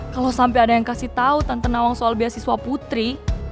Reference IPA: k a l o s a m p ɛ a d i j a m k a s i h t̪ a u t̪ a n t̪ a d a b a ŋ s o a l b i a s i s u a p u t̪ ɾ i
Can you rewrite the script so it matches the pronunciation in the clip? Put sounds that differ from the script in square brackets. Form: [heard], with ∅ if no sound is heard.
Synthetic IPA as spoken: k a l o s a m p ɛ a d [a] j a [ŋ] k a s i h t̪ a u t̪ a n t̪ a [n] a [w] a ŋ s o a l b i a s i s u a p u t̪ ɾ i